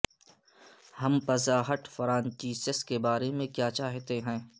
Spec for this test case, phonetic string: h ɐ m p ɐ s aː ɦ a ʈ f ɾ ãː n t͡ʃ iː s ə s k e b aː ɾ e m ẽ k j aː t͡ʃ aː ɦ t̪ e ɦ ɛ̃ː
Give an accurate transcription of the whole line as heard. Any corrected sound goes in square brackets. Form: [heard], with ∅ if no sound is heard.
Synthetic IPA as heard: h ɐ m p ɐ [z] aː ɦ [ə] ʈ f ɾ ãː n t͡ʃ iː s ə s k e b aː ɾ e m ẽ k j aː t͡ʃ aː ɦ t̪ e ɦ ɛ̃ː

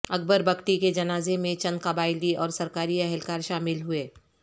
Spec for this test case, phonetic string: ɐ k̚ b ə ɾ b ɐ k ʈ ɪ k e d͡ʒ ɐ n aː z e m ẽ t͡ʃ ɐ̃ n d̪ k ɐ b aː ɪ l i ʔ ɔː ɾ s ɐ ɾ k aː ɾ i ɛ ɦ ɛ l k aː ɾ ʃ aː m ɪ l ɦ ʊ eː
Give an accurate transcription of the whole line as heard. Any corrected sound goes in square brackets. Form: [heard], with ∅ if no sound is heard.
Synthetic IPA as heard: ɐ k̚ b ə ɾ b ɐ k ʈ [i] k e d͡ʒ ɐ n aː z e m ẽ t͡ʃ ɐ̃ n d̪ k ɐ b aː ɪ l i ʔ ɔː ɾ s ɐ ɾ k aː ɾ i ɛ ɦ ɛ l k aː ɾ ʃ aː m ɪ l ɦ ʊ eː

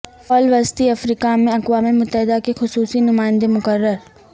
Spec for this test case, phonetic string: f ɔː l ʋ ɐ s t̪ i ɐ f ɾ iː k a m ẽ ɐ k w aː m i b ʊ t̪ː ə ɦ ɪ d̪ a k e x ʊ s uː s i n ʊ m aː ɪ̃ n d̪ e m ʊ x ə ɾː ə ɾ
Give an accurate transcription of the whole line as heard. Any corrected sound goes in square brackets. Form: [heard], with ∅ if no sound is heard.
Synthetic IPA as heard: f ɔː l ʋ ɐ s t̪ i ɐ f ɾ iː k a m ẽ ɐ k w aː m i [m] ʊ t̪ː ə ɦ ɪ d̪ a k e x ʊ s uː s i n ʊ m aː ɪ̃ n d̪ e m ʊ [k] ə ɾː ə ɾ

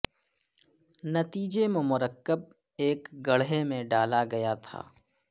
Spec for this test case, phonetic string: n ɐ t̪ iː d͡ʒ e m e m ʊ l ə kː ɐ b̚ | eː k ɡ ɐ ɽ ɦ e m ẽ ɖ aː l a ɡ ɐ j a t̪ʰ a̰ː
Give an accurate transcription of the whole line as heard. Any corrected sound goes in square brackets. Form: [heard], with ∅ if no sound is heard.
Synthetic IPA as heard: n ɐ t̪ iː d͡ʒ e m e m ʊ [ɾ] ə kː [ə] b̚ | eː k ɡ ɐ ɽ ɦ e m ẽ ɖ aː l a ɡ ɐ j a t̪ʰ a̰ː

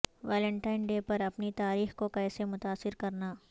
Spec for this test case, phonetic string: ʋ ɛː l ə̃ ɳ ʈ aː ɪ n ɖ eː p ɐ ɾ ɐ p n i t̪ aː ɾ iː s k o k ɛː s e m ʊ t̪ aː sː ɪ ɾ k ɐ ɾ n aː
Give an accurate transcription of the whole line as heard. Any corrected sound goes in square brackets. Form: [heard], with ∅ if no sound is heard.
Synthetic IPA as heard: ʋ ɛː l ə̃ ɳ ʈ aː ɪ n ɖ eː p ɐ ɾ ɐ p n i t̪ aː ɾ iː [x] k o k ɛː s e m ʊ t̪ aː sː ɪ ɾ k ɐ ɾ n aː

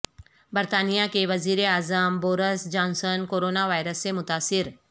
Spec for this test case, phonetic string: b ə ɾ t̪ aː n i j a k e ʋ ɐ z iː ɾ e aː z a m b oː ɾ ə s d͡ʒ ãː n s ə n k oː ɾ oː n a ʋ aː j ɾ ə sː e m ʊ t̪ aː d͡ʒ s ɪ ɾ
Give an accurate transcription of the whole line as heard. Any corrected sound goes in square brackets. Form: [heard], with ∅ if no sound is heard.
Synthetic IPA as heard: b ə ɾ t̪ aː n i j a k e ʋ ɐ z iː ɾ e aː z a m b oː ɾ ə s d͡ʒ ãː n s ə n k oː ɾ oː n a ʋ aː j ɾ ə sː e m ʊ t̪ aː [∅] s ɪ ɾ

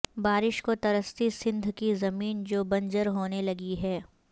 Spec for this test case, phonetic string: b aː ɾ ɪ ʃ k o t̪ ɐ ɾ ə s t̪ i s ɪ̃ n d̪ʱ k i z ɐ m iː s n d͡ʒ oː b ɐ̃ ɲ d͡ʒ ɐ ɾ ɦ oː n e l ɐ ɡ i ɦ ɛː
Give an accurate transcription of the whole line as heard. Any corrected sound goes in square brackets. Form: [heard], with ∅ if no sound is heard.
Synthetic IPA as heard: b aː ɾ ɪ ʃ k o t̪ ɐ ɾ ə s t̪ i s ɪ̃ n d̪ʱ k i z ɐ m iː [∅] n d͡ʒ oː b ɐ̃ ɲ d͡ʒ [ə] ɾ ɦ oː n e l ɐ ɡ i ɦ ɛː

